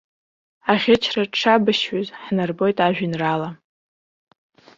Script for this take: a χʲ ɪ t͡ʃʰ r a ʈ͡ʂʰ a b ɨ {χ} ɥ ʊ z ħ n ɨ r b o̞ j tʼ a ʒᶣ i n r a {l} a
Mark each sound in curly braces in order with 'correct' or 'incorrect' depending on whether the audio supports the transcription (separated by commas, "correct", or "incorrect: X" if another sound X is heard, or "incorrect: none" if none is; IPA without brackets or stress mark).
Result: incorrect: ʃ, correct